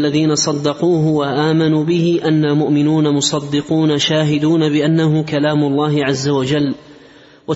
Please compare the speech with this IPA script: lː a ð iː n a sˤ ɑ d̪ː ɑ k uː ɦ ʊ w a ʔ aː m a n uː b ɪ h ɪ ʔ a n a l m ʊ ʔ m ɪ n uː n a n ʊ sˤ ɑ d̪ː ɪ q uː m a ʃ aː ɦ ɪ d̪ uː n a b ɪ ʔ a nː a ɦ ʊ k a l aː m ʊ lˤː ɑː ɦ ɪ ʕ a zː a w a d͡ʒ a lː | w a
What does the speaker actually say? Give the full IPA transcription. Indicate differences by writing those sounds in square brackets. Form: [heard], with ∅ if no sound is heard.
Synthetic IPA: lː a ð iː n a sˤ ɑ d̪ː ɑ [q] uː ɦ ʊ w a ʔ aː m a n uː b ɪ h ɪ ʔ a [nː] a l m ʊ ʔ m ɪ n uː n a [m] ʊ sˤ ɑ d̪ː ɪ q uː [n] a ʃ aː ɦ ɪ d̪ uː n a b ɪ ʔ a nː a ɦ ʊ k a l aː m ʊ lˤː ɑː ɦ ɪ ʕ a zː a w a d͡ʒ a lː | w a